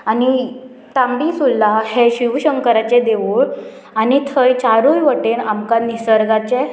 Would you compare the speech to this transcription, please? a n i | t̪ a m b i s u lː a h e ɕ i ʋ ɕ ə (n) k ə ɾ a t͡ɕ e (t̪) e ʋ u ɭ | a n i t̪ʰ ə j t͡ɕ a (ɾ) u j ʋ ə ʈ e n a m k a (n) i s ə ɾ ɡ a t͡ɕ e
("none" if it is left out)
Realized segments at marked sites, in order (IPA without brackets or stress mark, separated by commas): ŋ, d̪, ɾ, n